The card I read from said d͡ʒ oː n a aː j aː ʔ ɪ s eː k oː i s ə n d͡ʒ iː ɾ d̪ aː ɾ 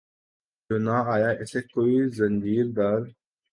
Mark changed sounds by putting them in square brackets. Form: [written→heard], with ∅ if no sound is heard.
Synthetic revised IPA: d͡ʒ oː n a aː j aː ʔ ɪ s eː k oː i [s→z] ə n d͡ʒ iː ɾ d̪ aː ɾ